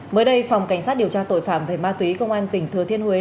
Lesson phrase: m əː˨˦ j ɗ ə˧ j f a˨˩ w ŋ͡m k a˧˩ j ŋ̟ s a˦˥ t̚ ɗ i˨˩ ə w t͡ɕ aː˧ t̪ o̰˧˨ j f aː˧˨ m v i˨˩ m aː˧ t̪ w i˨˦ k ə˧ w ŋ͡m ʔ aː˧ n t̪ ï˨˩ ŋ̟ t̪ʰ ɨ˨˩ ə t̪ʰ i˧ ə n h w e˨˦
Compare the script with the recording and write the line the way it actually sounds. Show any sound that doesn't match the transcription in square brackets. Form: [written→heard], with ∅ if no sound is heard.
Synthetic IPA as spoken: m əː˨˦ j ɗ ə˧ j f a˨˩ w ŋ͡m k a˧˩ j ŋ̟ s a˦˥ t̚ ɗ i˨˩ ə w t͡ɕ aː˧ t̪ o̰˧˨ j f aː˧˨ m v [i˨˩→e˨˩] m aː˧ t̪ w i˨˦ k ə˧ w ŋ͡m ʔ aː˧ n t̪ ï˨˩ ŋ̟ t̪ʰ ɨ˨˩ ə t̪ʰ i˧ ə n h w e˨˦

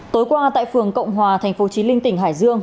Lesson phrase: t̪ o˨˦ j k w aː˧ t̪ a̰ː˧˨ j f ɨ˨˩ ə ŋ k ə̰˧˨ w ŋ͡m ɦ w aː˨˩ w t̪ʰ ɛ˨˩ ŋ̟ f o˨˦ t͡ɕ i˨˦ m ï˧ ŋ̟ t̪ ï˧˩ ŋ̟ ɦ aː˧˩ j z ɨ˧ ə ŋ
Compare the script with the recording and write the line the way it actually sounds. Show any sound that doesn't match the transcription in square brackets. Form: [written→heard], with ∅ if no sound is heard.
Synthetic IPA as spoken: t̪ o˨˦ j k w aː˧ t̪ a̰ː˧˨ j f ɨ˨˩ ə ŋ k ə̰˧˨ w ŋ͡m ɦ w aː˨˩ [w→∅] t̪ʰ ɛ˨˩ ŋ̟ f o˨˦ t͡ɕ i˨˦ m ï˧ ŋ̟ t̪ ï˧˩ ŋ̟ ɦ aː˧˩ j z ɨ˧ ə ŋ

